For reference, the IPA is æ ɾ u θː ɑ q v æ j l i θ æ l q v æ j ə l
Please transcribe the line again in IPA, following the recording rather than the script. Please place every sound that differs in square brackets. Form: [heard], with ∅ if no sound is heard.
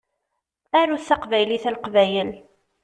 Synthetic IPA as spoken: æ ɾ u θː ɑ q v æ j l i θ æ l q v æ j ə l